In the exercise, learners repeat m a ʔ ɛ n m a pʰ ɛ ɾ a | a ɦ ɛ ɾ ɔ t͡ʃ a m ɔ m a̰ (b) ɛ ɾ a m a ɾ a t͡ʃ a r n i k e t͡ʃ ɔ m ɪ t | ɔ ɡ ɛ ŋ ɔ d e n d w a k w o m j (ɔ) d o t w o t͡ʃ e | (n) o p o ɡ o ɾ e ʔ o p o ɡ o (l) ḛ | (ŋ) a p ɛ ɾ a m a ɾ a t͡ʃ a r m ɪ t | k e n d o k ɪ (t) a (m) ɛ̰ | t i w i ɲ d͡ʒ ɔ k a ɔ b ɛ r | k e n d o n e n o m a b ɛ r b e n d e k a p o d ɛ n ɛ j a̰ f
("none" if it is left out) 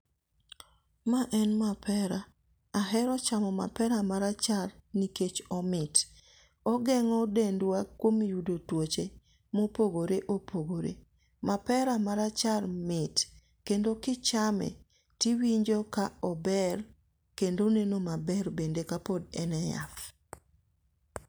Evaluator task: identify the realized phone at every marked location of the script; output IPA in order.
p, u, m, ɾ, m, t͡ʃ, m

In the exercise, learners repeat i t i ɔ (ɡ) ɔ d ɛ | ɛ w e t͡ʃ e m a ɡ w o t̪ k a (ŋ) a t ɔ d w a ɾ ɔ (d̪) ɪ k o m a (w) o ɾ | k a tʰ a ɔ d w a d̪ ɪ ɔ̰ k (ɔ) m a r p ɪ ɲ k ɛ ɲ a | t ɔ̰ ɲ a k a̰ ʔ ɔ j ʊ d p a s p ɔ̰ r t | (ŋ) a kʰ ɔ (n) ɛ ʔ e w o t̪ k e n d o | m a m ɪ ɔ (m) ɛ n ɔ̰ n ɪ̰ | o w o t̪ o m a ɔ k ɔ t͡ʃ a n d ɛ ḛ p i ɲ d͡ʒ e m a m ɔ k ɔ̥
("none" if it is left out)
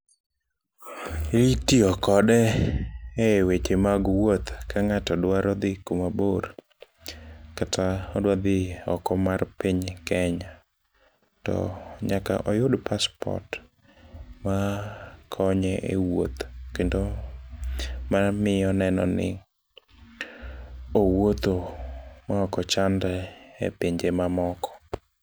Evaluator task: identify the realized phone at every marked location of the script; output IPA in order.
k, ŋ, d̪, b, ɔ, m, ɲ, n

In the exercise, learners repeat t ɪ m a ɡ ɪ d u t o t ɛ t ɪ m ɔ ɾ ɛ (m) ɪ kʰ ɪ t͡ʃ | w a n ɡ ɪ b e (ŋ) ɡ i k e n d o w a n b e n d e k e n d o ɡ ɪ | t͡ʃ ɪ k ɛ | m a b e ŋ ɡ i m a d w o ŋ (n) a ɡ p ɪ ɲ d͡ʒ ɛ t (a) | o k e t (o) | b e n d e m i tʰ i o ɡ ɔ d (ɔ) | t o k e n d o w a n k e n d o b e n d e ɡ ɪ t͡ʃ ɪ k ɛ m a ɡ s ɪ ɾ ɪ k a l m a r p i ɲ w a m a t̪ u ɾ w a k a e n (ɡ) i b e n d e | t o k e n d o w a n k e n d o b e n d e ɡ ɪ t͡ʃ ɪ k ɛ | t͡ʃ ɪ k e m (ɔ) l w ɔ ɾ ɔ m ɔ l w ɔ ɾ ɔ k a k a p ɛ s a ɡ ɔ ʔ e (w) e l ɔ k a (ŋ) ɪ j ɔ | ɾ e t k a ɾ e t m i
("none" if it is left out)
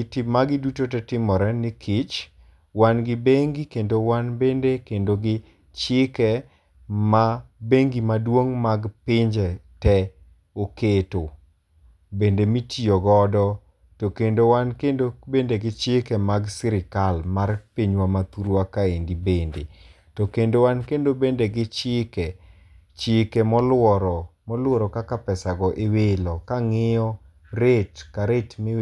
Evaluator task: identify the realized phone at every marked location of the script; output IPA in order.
n, ŋ, m, ɛ, o, ɔ, d, ɔ, w, ŋ

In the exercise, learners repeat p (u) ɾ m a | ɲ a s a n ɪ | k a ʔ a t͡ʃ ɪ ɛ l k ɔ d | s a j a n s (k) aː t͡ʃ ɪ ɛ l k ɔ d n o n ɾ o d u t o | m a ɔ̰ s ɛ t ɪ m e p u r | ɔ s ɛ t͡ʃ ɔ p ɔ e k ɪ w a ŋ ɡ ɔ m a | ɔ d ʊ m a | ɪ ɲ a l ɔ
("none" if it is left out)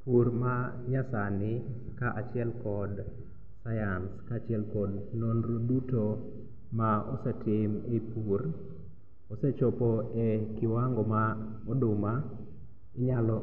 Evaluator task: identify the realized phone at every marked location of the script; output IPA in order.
u, k

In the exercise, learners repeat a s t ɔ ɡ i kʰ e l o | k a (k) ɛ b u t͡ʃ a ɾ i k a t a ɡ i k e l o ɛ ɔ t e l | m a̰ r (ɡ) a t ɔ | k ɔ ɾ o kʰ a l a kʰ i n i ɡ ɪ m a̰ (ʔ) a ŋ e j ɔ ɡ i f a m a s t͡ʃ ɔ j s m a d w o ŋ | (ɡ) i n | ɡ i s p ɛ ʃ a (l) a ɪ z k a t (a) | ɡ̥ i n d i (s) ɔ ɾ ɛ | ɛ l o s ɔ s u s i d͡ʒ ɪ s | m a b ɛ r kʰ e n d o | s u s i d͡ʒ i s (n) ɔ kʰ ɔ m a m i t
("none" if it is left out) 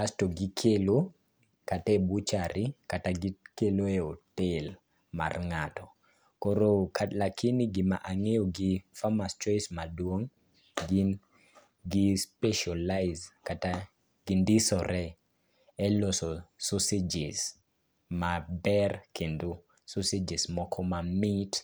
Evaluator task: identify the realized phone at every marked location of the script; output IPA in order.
t, ŋ, ʔ, ɡ, l, a, s, m

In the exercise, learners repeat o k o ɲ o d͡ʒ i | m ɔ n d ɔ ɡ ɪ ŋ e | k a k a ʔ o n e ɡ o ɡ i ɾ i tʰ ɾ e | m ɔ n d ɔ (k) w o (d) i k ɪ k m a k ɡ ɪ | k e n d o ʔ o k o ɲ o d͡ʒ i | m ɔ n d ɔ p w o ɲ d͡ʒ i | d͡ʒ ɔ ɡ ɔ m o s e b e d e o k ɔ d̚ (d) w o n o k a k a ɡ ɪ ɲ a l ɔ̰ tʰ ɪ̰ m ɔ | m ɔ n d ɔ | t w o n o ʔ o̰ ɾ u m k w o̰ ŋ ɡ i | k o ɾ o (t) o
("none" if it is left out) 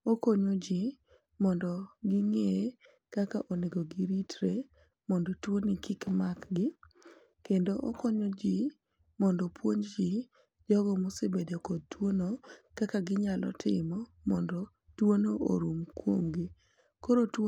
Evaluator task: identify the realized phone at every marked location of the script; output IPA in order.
t, n, t, t

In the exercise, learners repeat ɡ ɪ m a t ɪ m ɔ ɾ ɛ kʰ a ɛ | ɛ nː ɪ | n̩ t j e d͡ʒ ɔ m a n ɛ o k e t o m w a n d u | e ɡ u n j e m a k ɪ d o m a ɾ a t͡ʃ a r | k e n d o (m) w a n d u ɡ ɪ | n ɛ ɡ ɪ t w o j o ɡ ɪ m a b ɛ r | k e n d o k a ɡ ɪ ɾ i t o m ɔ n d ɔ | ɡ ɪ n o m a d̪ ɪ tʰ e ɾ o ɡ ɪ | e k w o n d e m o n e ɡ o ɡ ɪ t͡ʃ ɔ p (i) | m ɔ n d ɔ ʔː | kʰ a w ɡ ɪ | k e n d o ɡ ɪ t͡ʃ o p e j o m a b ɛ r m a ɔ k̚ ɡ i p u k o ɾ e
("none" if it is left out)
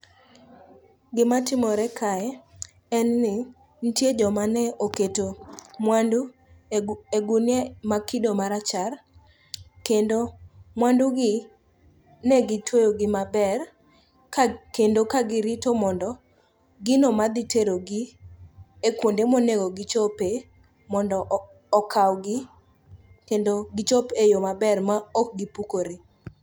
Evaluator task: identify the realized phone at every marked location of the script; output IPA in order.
m, e

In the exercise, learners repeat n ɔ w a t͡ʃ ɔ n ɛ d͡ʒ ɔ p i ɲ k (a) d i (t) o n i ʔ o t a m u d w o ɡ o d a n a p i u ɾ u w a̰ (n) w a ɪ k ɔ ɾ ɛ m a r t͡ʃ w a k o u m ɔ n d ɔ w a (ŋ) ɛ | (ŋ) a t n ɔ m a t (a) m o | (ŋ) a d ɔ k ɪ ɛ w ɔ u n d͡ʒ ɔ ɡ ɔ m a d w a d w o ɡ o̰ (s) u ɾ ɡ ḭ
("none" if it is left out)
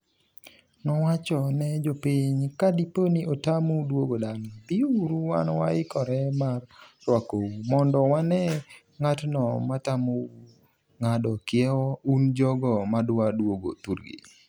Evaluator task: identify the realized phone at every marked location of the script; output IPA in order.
a, p, n, n, ŋ, a, ŋ, t

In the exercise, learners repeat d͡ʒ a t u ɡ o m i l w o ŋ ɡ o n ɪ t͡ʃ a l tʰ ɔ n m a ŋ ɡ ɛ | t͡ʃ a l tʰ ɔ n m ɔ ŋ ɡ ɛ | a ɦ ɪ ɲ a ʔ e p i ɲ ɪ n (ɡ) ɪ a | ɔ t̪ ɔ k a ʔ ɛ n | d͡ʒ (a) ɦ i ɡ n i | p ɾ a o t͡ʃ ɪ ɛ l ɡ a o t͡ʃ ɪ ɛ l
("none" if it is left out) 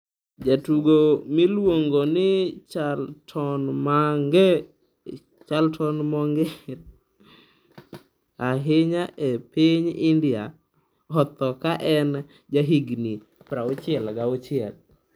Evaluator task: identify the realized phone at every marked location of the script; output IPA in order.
d, a

